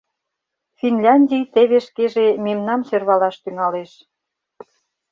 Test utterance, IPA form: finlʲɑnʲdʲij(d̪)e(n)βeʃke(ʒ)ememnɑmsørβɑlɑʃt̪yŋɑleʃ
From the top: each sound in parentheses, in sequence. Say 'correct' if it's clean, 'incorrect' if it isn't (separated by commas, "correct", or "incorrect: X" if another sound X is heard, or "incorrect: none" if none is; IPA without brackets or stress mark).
incorrect: t̪, incorrect: none, correct